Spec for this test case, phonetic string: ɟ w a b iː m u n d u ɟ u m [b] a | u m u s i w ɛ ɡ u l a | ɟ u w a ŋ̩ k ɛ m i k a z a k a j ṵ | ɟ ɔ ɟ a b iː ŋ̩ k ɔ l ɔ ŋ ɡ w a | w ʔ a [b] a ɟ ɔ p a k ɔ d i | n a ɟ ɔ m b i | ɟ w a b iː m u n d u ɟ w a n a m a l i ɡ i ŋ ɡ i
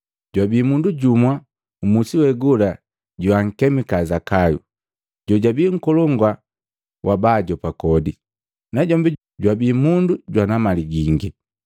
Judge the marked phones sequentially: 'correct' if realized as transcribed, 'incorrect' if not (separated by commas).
incorrect, correct